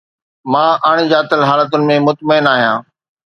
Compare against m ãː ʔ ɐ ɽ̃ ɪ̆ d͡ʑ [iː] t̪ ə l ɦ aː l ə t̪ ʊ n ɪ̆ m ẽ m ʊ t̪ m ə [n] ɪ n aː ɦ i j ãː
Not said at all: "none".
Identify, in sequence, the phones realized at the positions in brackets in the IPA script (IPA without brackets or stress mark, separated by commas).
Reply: aː, none